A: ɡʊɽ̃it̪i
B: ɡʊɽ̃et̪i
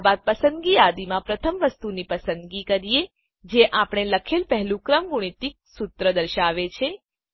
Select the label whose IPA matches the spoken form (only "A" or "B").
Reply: A